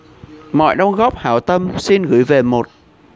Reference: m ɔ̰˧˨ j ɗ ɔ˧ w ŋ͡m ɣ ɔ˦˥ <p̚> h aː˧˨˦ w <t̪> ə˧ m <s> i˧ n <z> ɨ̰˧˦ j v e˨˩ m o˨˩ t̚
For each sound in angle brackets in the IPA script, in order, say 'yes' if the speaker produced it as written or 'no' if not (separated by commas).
yes, yes, yes, no